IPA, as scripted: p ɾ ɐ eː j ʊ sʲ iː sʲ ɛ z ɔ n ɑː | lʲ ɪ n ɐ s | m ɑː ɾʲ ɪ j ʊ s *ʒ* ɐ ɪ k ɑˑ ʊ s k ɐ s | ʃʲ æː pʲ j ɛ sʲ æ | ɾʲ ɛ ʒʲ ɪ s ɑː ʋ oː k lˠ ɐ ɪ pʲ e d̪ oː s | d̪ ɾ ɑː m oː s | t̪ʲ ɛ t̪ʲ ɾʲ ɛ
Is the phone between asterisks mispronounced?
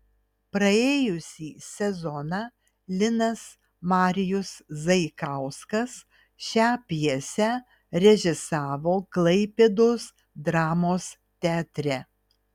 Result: yes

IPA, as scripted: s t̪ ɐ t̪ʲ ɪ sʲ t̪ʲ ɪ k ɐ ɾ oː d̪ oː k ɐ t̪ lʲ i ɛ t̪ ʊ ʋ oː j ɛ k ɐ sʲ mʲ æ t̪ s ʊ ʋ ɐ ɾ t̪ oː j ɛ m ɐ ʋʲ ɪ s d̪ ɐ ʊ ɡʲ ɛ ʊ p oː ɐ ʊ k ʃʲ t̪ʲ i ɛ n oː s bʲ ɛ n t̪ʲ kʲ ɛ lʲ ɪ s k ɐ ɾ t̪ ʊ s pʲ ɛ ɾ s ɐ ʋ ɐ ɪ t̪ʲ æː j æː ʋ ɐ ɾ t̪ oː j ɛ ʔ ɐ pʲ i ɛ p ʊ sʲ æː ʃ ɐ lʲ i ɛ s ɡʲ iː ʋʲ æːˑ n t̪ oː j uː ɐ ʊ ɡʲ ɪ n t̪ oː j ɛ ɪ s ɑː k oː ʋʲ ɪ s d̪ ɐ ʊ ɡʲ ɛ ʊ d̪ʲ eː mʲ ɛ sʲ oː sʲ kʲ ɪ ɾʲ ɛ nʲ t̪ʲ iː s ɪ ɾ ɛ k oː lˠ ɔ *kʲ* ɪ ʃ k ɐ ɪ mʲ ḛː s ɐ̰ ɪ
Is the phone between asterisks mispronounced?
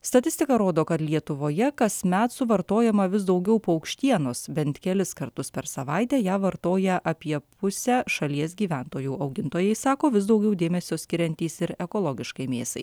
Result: yes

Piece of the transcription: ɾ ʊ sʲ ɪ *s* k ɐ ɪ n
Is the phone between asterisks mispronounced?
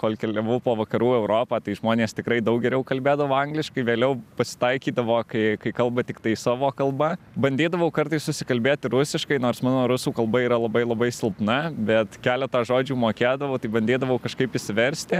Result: yes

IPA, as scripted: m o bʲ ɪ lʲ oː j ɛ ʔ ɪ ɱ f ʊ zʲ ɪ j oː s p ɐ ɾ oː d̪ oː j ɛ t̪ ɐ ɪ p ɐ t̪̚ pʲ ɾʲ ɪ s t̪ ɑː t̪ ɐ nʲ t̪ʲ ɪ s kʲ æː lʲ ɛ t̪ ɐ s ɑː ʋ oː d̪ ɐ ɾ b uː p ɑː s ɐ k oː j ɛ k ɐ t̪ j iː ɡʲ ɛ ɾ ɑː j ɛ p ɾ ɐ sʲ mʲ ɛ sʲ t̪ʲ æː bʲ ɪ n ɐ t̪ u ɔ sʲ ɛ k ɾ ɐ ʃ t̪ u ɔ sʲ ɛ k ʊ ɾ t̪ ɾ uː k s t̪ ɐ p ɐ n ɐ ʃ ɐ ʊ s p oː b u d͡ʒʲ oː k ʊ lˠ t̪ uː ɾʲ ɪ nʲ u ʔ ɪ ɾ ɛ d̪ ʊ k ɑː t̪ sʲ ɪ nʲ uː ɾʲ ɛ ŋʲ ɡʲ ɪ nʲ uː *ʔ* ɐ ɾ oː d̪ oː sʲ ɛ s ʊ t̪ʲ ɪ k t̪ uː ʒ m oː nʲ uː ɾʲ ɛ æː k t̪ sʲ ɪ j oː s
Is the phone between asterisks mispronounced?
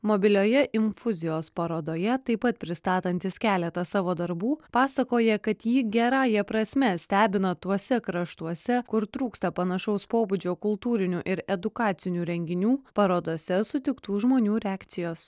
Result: yes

